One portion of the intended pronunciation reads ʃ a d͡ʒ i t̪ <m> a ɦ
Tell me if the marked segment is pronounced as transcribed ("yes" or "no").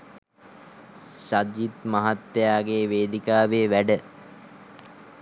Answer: yes